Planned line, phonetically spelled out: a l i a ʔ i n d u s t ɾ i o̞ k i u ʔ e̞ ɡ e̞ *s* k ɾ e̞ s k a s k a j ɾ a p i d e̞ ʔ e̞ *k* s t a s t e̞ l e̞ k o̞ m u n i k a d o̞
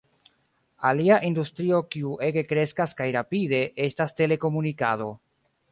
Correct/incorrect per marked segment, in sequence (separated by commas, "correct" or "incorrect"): incorrect, incorrect